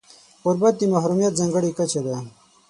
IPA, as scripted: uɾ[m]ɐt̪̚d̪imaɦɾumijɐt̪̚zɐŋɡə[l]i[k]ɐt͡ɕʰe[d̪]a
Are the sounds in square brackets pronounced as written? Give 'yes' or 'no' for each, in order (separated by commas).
no, no, yes, yes